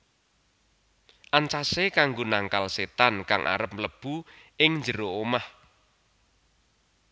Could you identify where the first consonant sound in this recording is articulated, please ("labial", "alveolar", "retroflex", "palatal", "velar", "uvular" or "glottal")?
glottal